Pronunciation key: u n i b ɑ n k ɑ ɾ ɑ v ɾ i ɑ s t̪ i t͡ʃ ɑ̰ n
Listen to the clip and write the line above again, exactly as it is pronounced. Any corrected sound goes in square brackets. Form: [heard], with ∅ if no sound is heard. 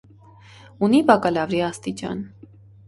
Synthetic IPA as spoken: u n i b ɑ [∅] k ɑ [l] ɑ v ɾ i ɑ s t̪ i t͡ʃ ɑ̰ n

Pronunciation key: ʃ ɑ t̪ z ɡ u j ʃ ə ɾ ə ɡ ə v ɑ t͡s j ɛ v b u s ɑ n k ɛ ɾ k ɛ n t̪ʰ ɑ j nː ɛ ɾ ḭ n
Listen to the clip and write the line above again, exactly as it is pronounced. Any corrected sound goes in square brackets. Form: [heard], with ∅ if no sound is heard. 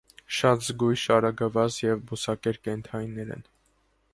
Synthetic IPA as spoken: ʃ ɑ t̪ z ɡ u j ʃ [ɑ] ɾ [ɑ] ɡ ə v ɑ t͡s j ɛ v b u s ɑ [∅] k ɛ ɾ k ɛ n t̪ʰ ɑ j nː ɛ ɾ [ɛ̰] n

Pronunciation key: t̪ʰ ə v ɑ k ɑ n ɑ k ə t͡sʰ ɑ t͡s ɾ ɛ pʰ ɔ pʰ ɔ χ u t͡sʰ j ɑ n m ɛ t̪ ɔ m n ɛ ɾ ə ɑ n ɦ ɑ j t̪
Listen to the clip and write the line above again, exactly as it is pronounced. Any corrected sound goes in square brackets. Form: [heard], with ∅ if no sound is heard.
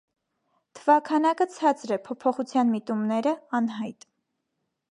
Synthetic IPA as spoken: t̪ʰ ə v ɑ [kʰ] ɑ n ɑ k ə t͡sʰ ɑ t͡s ɾ ɛ pʰ ɔ pʰ ɔ χ u t͡sʰ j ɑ n m [i] t̪ [u] m n ɛ ɾ ə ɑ n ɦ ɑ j t̪

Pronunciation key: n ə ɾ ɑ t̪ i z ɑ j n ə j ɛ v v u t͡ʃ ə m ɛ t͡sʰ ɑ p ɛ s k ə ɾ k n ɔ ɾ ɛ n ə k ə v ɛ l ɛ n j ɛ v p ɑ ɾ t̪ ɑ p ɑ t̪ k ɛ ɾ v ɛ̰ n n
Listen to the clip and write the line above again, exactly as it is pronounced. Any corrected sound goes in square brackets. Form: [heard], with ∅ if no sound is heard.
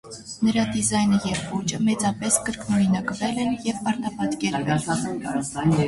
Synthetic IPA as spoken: n ə ɾ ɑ [d̪] i z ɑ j n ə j ɛ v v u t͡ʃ ə m ɛ [t͡s] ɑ p ɛ s k ə ɾ k n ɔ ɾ [i] n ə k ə v ɛ l ɛ n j ɛ v p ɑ ɾ t̪ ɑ p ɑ t̪ k ɛ ɾ v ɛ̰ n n

